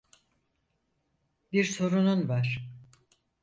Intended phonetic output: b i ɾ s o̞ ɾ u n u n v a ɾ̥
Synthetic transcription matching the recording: b i ɾ s o̞ ɾ u n u n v a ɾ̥

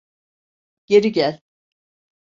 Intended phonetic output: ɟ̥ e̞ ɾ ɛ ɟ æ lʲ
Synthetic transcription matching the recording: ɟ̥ e̞ ɾ i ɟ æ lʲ

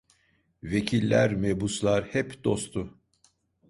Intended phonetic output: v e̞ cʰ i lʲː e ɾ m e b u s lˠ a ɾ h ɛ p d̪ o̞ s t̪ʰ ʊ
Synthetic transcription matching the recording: v e̞ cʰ i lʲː æ ɾ m e b u s lˠ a ɾ h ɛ p d̪ o̞ s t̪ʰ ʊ

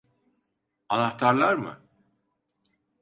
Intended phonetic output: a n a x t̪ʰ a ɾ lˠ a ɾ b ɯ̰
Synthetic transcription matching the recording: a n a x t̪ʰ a ɾ lˠ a ɾ m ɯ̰

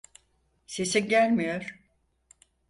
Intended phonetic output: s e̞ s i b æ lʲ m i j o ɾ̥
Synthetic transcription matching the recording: s e̞ s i ɟ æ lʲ m i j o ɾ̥

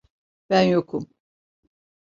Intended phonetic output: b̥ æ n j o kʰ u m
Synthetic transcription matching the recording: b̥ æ n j o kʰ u m

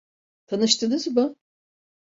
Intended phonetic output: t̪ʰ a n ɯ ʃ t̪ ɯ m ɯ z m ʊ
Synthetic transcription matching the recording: t̪ʰ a n ɯ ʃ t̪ ɯ n ɯ z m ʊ

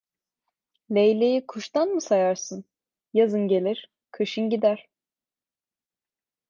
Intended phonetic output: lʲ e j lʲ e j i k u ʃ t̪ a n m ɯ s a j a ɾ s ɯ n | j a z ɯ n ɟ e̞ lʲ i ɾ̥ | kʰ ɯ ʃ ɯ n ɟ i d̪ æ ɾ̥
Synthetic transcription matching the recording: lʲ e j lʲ e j i kʰ u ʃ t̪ a n m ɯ s a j a ɾ s ɯ n | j a z ɯ n ɟ e̞ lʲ i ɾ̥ | kʰ ɯ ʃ ɯ n ɟ i d̪ æ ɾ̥

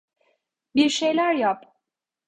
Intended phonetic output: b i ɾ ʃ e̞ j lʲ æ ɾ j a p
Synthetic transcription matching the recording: b i ɾ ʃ e̞ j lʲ æ ɾ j a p

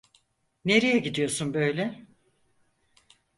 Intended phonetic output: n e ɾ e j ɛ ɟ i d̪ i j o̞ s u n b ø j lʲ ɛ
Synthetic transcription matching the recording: n e ɾ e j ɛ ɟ i d̪ i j o̞ s u n b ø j lʲ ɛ

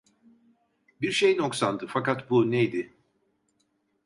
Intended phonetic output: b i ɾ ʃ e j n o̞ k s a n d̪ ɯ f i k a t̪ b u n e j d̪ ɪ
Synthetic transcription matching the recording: b i ɾ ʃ e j n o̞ k s a n d̪ ɯ f a k a t̪ b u n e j d̪ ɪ

